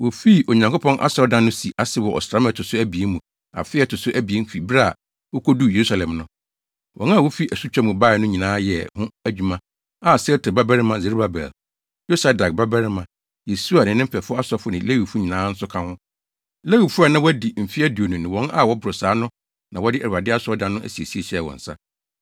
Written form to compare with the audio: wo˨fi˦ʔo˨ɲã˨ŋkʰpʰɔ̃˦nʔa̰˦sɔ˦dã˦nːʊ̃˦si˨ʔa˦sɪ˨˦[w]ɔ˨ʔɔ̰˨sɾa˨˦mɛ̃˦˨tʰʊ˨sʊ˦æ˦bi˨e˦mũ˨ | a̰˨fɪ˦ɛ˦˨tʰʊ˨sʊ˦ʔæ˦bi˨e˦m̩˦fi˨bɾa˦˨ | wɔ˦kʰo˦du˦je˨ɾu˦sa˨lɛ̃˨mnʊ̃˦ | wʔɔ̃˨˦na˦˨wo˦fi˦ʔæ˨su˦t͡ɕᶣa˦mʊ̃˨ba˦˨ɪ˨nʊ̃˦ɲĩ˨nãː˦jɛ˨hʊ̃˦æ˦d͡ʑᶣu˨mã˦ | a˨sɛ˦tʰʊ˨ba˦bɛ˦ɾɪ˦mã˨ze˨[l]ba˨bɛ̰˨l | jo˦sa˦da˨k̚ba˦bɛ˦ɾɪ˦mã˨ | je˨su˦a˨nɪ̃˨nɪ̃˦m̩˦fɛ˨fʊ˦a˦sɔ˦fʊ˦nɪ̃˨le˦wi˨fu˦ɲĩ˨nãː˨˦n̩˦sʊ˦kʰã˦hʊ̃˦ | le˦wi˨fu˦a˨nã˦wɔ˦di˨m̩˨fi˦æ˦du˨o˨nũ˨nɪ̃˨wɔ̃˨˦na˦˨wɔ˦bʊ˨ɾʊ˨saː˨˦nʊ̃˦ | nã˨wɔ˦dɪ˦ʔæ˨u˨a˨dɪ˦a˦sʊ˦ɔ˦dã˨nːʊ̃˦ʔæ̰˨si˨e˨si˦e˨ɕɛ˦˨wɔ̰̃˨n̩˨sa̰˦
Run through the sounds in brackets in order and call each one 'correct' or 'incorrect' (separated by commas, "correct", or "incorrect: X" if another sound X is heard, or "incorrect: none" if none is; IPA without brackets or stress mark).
correct, incorrect: ɾ